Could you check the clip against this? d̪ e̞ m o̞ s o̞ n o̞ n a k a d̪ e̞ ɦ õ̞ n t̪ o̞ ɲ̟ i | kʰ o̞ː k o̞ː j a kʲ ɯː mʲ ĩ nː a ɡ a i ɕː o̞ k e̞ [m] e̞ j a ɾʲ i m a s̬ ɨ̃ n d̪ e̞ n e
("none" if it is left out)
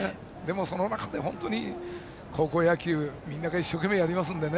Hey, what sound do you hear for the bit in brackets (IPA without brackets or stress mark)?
m